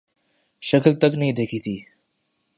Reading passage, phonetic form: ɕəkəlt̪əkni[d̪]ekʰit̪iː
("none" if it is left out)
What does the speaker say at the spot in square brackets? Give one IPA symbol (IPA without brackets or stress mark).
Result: d̪